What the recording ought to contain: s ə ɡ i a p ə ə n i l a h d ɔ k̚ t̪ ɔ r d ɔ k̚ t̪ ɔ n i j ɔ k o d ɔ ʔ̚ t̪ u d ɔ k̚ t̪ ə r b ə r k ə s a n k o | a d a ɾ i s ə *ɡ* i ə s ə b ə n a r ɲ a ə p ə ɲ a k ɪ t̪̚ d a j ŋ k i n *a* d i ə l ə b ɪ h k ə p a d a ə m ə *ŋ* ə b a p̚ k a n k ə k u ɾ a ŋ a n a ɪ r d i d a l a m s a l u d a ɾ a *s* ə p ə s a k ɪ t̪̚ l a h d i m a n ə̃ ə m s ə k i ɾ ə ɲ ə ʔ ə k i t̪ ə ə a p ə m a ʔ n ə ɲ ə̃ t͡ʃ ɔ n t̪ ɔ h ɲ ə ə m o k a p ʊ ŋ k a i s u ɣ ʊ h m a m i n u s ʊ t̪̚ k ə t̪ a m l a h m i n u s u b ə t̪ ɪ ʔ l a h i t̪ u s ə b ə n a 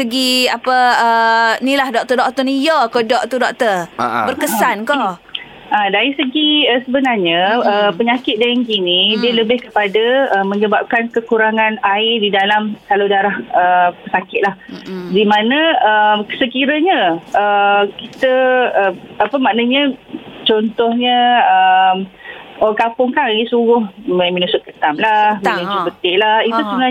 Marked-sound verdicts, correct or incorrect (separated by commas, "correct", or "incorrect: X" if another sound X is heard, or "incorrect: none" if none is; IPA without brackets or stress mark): correct, incorrect: i, incorrect: ɲ, incorrect: h